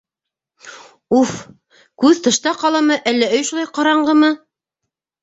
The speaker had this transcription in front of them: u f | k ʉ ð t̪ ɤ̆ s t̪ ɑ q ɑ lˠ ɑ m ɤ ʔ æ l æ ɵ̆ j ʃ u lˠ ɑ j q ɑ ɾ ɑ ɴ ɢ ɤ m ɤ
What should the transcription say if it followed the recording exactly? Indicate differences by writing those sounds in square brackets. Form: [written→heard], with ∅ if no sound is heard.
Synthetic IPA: u f | k ʉ ð t̪ ɤ̆ [s→ʃ] t̪ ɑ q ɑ lˠ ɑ m ɤ ʔ æ [l→lː] æ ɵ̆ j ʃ u lˠ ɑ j q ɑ ɾ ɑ ɴ ɢ ɤ m ɤ

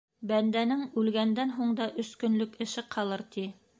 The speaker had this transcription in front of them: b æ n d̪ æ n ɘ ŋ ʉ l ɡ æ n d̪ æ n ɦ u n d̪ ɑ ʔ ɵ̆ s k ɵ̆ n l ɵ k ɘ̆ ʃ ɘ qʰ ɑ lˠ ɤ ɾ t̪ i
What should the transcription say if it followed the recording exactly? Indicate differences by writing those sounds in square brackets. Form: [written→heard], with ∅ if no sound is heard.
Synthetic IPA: b æ n d̪ æ n ɘ ŋ ʉ l ɡ æ n d̪ æ n ɦ u [n→ɴ] d̪ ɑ ʔ ɵ̆ s k ɵ̆ n l ɵ k ɘ̆ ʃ ɘ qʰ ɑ lˠ ɤ ɾ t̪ i

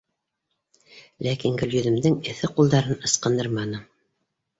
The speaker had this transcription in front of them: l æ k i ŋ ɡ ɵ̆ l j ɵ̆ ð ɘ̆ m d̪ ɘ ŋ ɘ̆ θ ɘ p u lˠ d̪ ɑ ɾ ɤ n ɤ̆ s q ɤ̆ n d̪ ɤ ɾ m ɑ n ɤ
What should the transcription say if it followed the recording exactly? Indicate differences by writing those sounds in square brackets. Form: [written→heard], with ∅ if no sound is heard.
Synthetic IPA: l æ k i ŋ ɡ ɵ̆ l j ɵ̆ ð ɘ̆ m d̪ ɘ ŋ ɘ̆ θ ɘ [p→q] u lˠ d̪ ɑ ɾ ɤ n ɤ̆ s q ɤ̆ n d̪ ɤ ɾ m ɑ n ɤ

